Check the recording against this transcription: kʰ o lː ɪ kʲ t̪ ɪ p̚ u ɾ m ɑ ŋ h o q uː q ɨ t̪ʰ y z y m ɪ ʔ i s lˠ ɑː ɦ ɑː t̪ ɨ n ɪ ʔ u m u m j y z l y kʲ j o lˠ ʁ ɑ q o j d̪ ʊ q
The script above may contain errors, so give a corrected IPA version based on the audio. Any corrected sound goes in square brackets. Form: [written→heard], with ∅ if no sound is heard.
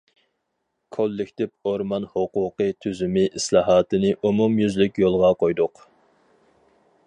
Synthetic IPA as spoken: kʰ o lː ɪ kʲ t̪ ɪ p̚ [u→o] ɾ m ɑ [ŋ→n] h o q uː q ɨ t̪ʰ y z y m ɪ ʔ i s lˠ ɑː ɦ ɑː t̪ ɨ n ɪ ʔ u m u m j y z l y kʲ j o lˠ ʁ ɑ q o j d̪ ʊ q